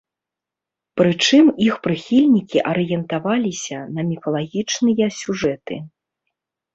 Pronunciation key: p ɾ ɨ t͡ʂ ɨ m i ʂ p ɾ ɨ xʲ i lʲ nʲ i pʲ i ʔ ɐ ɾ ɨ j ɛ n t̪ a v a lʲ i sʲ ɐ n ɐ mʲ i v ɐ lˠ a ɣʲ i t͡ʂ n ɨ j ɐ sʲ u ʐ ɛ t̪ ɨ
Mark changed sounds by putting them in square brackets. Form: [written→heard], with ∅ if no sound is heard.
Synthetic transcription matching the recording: p ɾ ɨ t͡ʂ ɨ m i [ʂ→x] p ɾ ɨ xʲ i lʲ nʲ i [pʲ→kʲ] i ʔ ɐ ɾ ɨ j ɛ n t̪ a v a lʲ i sʲ ɐ n ɐ mʲ i [v→f] ɐ lˠ a ɣʲ i t͡ʂ n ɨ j ɐ sʲ u ʐ ɛ t̪ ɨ

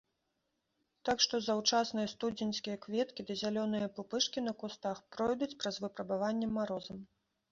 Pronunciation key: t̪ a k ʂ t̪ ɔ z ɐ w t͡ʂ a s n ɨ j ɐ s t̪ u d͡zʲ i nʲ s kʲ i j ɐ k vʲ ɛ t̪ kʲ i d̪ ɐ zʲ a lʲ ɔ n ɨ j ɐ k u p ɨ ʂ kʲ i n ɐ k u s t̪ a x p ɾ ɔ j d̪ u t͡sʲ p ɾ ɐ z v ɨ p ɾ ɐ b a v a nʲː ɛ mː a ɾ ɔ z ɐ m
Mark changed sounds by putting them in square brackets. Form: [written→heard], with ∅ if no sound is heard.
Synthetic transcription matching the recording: t̪ a k ʂ t̪ ɔ z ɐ w t͡ʂ a s n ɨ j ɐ s t̪ u d͡zʲ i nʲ s kʲ i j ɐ k vʲ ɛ t̪ kʲ i d̪ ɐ zʲ a lʲ ɔ n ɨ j ɐ [k→p] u p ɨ ʂ kʲ i n ɐ k u s t̪ a x p ɾ ɔ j d̪ u t͡sʲ p ɾ ɐ z v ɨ p ɾ ɐ b a v a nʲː ɛ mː a ɾ ɔ z ɐ m

